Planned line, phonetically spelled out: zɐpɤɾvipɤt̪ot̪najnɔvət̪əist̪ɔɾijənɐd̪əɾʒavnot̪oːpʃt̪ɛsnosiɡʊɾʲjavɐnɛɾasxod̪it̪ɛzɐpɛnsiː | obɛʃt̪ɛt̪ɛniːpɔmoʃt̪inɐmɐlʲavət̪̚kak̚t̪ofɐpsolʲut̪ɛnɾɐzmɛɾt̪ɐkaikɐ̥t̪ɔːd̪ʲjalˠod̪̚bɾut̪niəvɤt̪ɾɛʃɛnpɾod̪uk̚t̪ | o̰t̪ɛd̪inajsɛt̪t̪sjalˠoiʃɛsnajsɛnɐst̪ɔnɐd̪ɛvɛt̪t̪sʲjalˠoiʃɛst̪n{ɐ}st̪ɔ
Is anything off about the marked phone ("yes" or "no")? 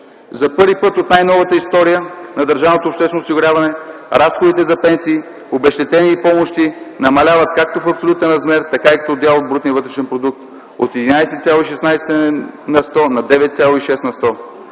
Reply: no